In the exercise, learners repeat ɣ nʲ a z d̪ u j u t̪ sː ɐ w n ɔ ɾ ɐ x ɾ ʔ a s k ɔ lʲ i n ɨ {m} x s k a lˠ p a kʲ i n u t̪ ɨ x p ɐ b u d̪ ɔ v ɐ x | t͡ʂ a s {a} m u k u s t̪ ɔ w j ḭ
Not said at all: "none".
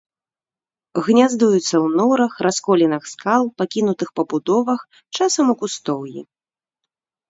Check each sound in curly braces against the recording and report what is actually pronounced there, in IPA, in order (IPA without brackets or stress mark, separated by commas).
none, ɐ